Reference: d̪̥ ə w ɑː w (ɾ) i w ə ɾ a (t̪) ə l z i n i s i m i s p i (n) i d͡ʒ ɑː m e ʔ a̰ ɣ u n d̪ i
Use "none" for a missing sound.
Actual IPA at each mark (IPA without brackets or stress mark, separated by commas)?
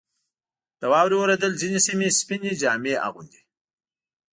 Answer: ɾ, d̪, n